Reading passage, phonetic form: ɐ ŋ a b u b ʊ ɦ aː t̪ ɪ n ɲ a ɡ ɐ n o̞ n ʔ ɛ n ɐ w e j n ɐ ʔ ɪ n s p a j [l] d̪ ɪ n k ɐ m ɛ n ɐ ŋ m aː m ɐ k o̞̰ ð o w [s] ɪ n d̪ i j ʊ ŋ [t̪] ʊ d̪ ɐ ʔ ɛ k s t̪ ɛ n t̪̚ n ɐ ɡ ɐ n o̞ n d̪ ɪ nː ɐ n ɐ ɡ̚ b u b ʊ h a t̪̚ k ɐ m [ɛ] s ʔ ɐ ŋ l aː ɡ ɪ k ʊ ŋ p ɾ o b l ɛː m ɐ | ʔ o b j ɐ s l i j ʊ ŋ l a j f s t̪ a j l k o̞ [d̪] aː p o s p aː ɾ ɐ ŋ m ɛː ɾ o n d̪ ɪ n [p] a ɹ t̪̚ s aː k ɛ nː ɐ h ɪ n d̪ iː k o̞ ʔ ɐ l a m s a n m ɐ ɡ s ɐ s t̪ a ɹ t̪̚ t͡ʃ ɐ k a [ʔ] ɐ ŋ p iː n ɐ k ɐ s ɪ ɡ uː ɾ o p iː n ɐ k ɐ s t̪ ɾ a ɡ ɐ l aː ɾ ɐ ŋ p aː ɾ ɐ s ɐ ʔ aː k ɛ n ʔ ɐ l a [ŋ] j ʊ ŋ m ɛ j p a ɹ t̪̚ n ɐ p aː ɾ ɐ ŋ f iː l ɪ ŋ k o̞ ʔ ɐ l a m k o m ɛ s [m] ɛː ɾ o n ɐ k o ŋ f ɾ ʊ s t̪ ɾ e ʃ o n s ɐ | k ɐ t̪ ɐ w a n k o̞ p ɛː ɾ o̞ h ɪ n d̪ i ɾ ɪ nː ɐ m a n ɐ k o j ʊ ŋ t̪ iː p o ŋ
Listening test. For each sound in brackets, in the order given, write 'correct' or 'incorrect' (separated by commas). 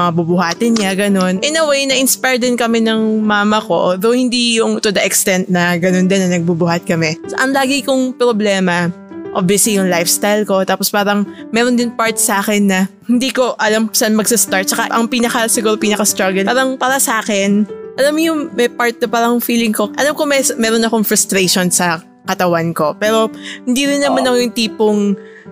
incorrect, incorrect, correct, correct, incorrect, correct, correct, incorrect, correct